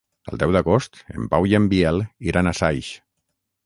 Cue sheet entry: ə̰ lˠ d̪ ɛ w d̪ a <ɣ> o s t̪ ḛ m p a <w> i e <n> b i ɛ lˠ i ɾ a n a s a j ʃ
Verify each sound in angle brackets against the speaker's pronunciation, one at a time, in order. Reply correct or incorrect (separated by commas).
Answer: correct, correct, incorrect